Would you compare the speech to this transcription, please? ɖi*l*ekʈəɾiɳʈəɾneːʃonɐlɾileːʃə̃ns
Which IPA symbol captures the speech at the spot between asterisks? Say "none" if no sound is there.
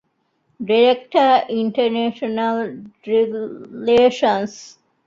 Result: ɾ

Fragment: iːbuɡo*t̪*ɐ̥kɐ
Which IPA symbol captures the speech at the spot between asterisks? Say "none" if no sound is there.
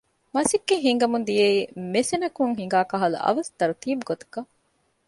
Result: t̪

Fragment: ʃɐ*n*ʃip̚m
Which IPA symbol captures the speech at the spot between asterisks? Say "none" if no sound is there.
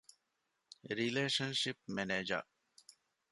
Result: n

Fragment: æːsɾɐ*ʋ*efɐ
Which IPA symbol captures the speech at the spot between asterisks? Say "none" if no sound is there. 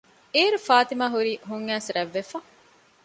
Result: ʋː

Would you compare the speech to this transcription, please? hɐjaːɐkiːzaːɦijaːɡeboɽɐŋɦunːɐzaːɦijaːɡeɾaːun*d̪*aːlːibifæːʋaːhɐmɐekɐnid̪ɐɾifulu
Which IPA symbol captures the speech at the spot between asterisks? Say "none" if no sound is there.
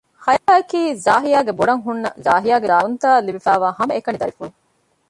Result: t̪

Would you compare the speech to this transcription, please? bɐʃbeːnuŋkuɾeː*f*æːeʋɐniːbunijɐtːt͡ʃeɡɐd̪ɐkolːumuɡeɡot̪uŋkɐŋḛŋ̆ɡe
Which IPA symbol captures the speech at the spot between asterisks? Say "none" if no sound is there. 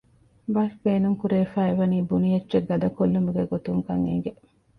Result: f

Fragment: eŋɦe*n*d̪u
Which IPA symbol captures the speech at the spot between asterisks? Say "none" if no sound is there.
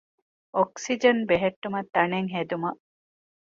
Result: none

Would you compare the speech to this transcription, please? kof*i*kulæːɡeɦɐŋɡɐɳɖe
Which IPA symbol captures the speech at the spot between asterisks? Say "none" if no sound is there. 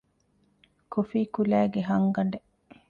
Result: iː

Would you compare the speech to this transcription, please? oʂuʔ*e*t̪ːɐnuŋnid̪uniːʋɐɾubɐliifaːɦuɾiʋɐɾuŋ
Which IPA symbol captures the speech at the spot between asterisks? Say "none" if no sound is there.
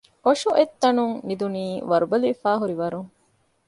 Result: e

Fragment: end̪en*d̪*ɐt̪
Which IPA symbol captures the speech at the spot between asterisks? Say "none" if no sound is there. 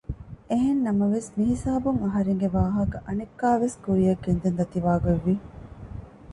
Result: d̪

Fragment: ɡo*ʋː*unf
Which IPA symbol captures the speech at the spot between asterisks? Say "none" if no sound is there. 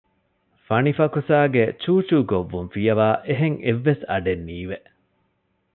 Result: ʋː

